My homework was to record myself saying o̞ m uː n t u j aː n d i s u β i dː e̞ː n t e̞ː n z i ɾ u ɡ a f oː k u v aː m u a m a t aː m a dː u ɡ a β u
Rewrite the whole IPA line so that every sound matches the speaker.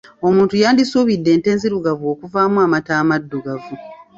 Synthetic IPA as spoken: o̞ m uː n t u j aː n d i s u β i dː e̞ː n t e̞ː n z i ɾ u ɡ a v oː k u v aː m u a m a t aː m a dː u ɡ a v u